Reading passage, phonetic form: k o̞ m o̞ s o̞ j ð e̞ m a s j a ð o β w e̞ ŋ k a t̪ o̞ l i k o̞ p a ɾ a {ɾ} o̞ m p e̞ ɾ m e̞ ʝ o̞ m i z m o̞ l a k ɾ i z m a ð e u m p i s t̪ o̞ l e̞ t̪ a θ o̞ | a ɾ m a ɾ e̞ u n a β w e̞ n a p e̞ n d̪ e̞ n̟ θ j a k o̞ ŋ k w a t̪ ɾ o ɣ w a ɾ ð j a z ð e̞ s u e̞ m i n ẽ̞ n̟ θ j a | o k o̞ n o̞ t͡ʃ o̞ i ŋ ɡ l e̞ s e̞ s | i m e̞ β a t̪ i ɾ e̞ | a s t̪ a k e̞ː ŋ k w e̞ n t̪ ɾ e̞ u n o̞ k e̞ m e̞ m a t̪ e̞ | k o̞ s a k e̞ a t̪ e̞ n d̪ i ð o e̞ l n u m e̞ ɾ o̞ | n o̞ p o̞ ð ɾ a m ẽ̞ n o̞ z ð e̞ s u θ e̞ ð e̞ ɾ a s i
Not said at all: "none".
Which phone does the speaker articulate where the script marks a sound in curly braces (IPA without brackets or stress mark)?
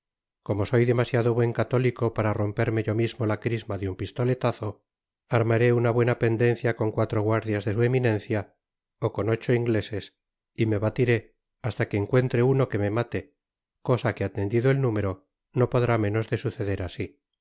r